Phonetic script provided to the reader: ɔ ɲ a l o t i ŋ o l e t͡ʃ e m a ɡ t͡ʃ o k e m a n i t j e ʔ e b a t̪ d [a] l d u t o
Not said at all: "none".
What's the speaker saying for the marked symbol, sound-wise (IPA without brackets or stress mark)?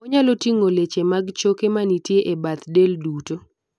e